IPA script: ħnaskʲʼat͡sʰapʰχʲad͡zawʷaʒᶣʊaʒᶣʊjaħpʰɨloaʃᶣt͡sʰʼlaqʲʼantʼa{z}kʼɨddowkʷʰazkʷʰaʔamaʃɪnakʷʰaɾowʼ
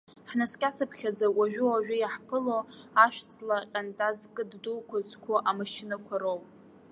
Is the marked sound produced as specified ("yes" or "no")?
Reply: yes